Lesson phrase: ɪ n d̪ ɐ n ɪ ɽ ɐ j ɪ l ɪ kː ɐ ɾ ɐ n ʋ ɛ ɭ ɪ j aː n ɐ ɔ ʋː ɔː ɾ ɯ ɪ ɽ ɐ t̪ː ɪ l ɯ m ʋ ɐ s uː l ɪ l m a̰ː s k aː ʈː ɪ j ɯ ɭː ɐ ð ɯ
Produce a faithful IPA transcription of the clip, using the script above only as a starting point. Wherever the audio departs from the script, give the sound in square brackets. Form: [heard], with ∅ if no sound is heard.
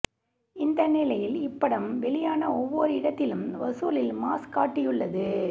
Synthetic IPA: ɪ n d̪ ɐ n ɪ [l] ɐ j ɪ l ɪ [pː] ɐ [ɽ] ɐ [m] ʋ ɛ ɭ ɪ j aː n ɐ ɔ ʋː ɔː ɾ ɯ ɪ ɽ ɐ t̪ː ɪ l ɯ m ʋ ɐ s uː l ɪ l m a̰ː s k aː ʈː ɪ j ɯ ɭː ɐ ð ɯ